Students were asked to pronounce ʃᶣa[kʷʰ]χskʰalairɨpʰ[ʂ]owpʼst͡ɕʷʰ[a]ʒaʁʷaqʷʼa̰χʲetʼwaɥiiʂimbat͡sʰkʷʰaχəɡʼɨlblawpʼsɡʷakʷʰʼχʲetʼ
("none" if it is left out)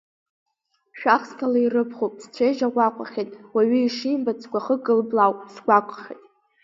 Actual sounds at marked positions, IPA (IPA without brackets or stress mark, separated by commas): none, χ, e